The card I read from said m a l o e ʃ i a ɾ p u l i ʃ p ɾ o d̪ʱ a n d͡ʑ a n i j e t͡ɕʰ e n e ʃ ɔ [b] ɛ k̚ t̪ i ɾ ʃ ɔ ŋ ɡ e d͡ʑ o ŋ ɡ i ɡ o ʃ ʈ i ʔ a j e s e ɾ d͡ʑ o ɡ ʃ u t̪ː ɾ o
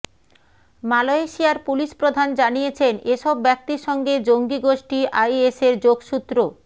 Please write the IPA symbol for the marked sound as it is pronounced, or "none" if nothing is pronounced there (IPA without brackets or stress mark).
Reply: bː